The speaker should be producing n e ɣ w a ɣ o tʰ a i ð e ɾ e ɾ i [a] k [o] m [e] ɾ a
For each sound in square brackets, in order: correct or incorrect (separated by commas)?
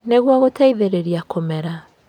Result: correct, correct, incorrect